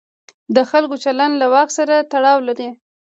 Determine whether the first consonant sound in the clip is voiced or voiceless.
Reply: voiced